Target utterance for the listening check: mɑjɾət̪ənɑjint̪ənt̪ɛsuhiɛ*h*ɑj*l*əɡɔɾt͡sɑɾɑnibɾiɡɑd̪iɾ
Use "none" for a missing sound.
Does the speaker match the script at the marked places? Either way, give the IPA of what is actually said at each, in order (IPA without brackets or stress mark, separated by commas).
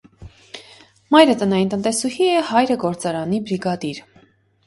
h, ɾ